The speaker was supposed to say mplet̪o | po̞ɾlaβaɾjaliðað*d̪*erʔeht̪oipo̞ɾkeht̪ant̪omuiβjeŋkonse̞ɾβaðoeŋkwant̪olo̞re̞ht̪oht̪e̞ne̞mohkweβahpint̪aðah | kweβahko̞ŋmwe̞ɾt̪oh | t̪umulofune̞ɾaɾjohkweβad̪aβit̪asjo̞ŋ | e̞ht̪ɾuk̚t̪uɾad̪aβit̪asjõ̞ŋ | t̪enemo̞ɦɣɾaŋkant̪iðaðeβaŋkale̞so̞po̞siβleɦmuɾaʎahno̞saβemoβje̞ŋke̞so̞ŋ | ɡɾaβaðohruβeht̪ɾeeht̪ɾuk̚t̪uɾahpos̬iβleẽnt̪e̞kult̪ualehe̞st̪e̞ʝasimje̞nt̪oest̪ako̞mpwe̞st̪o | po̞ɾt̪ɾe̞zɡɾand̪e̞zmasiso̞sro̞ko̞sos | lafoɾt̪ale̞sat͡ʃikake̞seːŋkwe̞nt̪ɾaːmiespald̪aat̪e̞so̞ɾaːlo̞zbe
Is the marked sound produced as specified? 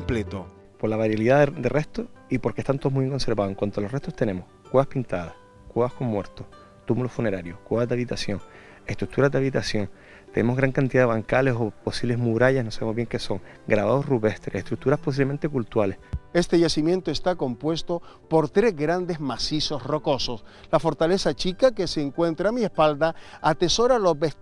yes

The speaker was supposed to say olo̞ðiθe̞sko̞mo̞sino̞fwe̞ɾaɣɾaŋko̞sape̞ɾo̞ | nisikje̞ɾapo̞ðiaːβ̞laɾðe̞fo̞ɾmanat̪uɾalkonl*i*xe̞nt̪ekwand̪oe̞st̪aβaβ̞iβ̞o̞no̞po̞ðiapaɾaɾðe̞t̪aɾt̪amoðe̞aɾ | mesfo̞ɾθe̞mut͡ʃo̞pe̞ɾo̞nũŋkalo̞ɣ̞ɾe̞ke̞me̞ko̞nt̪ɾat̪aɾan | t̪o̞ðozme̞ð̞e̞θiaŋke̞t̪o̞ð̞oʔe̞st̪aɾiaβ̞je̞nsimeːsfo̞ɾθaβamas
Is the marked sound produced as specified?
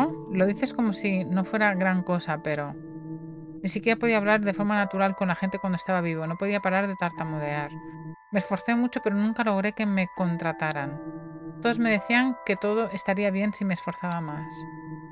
no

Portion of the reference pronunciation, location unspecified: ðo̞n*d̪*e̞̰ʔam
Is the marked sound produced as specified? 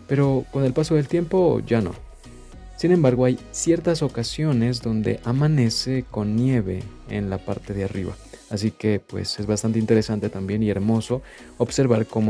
yes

